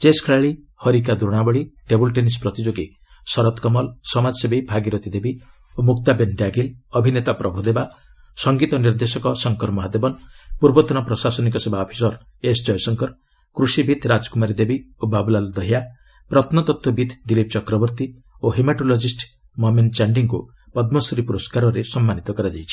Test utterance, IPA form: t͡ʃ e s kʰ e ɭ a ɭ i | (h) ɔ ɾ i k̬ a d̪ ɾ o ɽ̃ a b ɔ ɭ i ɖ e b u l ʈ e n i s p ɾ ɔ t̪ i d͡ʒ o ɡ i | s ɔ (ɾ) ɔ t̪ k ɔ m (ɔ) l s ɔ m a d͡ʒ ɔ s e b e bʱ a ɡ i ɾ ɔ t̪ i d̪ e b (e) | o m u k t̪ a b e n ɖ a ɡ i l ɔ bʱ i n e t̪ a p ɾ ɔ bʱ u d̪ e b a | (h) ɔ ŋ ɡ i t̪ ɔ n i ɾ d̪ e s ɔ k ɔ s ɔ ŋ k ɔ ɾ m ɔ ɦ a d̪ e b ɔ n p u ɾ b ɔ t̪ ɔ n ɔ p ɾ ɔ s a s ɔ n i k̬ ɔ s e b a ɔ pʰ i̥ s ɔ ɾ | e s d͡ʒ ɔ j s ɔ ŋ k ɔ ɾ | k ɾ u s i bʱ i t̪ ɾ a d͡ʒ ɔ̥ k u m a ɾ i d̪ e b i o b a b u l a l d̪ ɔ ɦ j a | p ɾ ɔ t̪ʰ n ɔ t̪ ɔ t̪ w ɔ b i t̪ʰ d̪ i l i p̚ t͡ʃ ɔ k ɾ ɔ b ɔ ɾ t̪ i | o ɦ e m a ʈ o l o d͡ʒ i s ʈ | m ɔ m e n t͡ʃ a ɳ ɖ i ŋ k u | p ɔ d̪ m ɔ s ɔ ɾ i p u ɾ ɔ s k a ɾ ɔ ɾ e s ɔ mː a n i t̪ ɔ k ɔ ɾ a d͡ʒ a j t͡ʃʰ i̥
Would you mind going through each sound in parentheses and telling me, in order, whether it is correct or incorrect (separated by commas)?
correct, correct, correct, incorrect, incorrect